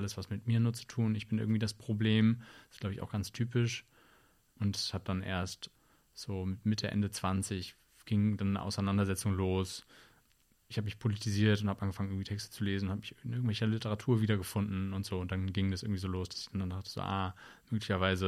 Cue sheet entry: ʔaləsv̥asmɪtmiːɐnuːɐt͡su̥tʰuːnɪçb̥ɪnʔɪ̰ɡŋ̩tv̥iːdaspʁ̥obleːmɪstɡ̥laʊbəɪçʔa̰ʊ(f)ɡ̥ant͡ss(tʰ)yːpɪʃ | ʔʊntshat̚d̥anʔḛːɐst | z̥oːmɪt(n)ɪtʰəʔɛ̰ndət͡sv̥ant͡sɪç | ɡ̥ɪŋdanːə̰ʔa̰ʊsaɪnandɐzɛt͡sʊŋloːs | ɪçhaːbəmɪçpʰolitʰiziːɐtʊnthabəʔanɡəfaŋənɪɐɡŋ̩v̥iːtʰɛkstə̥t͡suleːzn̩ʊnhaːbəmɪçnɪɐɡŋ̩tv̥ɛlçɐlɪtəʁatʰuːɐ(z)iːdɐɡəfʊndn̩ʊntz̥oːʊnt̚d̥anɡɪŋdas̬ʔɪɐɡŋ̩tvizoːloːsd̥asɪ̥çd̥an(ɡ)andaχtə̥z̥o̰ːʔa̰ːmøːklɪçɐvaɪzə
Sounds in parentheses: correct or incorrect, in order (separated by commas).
incorrect, correct, incorrect, incorrect, incorrect